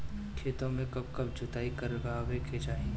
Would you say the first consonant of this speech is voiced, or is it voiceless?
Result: voiceless